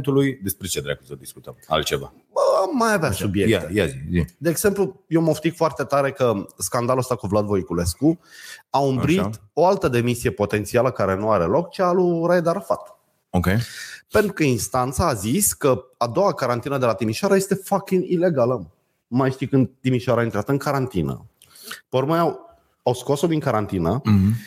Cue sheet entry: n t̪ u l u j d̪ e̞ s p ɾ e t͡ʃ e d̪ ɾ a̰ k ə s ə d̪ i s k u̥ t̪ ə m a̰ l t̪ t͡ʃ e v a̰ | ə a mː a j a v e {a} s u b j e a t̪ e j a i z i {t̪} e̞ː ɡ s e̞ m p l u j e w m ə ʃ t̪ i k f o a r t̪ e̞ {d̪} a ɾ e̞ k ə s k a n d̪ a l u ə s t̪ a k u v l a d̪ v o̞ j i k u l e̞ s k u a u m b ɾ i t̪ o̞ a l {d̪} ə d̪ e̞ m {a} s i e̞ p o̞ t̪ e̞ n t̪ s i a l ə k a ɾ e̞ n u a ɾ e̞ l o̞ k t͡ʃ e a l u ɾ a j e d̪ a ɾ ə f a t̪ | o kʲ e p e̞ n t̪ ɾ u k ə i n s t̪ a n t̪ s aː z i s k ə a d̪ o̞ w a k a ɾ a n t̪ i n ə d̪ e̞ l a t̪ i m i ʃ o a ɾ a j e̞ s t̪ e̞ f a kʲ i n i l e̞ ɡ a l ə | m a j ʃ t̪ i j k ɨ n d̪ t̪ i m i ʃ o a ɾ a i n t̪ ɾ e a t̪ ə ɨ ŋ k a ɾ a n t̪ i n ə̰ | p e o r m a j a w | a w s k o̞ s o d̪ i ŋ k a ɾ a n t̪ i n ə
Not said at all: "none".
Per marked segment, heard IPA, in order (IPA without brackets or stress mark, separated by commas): a, d̪, t̪, t̪, i